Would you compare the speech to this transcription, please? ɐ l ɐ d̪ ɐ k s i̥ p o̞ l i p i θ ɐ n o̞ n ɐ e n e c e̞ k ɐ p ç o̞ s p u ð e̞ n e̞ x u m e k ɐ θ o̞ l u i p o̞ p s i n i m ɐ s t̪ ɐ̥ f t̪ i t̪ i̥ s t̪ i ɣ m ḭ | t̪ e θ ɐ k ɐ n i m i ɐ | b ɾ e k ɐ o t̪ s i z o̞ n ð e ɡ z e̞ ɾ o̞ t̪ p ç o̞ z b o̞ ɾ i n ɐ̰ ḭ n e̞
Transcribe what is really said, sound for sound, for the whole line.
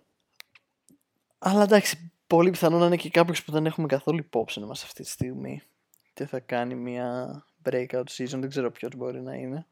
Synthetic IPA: ɐ l ɐ d̪ ɐ k s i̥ p o̞ l i p i θ ɐ n o̞ n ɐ i n e c e̞ k ɐ p ç o̞ s p u ð e̞ n e̞ x u m e k ɐ θ o̞ l u i p o̞ p s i n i m ɐ s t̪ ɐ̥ f t̪ i t̪ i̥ s t̪ i ɣ m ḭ | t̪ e θ ɐ k ɐ n i m i ɐ | b ɾ e k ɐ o t̪ s i z o̞ n ð e ɡ z e̞ ɾ o̞ p ç o̞ z b o̞ ɾ i n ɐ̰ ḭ n e̞